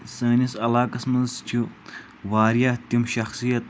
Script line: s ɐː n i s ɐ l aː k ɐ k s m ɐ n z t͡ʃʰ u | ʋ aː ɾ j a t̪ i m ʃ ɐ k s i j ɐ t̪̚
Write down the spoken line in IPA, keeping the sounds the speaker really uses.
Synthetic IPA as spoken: s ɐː n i s ɐ l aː k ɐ s m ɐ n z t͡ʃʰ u | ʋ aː ɾ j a t̪ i m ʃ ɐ x s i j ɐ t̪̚